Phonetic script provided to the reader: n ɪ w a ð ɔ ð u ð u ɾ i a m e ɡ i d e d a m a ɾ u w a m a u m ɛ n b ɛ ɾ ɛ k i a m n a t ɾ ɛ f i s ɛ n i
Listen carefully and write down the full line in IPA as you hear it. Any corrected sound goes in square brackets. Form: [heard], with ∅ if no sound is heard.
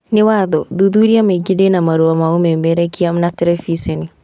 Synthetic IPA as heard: n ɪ w a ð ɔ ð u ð u ɾ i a m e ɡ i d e [n] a m a ɾ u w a m a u m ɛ [m] b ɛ ɾ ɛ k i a m n a t ɾ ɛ f i s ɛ n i